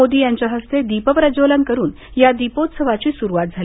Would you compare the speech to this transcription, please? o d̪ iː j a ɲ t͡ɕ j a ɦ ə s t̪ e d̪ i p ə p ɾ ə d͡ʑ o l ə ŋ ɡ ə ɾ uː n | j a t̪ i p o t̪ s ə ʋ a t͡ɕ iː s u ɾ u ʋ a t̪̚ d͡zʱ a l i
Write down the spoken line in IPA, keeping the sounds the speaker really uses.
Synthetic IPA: o d̪ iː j a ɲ t͡ɕ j a ɦ ə s t̪ e d̪ i p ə p ɾ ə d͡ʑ o l ə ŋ k ə ɾ uː n | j a d̪ i p o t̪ s ə ʋ a t͡ɕ iː s u ɾ u ʋ a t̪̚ d͡zʱ a l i